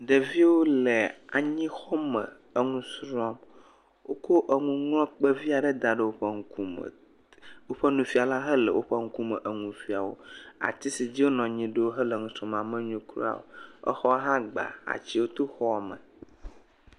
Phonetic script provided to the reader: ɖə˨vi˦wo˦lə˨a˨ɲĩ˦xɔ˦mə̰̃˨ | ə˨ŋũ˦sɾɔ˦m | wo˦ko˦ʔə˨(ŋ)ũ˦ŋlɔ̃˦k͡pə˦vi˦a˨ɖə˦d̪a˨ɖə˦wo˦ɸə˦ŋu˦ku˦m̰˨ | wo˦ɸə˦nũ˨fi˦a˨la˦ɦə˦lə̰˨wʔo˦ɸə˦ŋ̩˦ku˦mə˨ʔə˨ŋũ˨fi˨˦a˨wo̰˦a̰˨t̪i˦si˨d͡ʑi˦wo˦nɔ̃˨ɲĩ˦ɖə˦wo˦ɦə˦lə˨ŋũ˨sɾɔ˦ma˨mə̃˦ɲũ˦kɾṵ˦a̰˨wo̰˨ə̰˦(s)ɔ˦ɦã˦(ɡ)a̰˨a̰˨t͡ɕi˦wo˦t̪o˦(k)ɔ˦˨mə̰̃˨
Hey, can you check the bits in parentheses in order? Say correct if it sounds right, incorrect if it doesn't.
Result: correct, incorrect: x, incorrect: ɡ͡b, incorrect: x

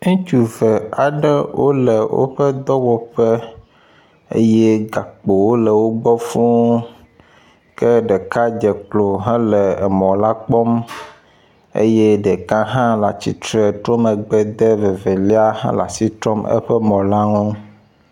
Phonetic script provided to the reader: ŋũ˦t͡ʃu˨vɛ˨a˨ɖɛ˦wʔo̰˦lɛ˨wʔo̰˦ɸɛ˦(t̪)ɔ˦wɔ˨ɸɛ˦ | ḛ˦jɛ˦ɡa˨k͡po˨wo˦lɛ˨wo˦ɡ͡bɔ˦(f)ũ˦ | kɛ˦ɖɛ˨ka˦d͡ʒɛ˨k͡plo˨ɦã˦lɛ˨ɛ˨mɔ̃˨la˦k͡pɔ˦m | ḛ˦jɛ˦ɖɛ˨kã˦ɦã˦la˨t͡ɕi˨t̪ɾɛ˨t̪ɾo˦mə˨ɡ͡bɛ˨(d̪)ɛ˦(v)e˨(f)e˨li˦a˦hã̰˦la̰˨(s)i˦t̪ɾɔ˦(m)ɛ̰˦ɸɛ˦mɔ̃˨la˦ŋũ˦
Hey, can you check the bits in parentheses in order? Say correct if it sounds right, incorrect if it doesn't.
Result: incorrect: d̪, correct, correct, correct, incorrect: v, correct, correct

